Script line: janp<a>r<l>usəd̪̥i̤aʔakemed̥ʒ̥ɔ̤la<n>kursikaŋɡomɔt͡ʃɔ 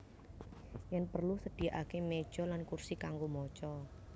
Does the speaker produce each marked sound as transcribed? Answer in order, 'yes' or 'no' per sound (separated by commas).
no, yes, yes